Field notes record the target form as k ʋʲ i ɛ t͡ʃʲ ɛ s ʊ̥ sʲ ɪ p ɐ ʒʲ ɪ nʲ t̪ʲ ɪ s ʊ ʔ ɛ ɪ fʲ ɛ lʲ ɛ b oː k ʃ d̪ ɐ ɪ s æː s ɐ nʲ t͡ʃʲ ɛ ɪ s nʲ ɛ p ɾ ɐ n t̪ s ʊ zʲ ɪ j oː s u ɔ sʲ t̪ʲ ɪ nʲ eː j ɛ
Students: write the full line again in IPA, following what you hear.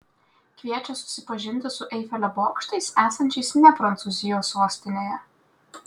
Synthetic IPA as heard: k ʋʲ i ɛ t͡ʃʲ ɛ s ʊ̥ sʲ ɪ p ɐ ʒʲ ɪ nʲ t̪ʲ ɪ s ʊ ʔ ɛ ɪ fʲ ɛ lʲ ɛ b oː k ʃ t̪ ɐ ɪ s æː s ɐ nʲ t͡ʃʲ ɛ ɪ s nʲ ɛ p ɾ ɐ n t̪ s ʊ zʲ ɪ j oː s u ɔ sʲ t̪ʲ ɪ nʲ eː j ɛ